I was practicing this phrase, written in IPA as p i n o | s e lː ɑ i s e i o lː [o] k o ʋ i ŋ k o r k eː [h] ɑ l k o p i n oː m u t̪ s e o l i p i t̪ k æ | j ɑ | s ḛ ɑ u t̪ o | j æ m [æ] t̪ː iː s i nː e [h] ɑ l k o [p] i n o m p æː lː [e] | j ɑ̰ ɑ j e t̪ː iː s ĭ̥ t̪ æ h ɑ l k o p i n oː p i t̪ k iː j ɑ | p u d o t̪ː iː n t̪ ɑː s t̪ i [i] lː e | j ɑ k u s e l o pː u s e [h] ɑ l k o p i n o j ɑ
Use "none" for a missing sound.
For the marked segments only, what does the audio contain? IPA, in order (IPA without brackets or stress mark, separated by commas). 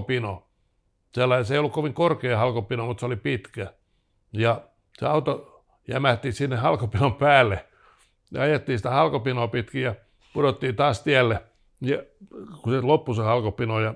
u, h, æ, h, p, e, æ, h